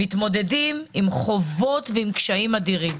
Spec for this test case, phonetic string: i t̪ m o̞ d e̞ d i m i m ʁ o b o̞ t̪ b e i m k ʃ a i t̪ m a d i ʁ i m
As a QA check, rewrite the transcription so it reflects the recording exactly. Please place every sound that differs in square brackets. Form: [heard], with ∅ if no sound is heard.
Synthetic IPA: i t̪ m o̞ d e̞ d i m i m [χ] o [v] o̞ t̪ [v] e i m k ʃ a i [∅] m a d i ʁ i m